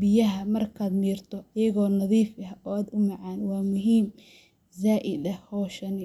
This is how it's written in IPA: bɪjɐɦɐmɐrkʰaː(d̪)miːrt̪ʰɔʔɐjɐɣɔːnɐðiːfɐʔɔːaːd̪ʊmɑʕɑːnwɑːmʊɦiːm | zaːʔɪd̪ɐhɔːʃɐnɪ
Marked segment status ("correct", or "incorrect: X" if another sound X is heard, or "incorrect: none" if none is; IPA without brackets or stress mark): correct